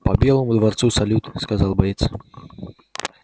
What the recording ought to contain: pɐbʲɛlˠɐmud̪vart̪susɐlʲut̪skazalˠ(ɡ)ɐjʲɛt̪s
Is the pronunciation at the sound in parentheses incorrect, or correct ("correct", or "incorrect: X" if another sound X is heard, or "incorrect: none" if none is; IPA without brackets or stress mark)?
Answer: incorrect: b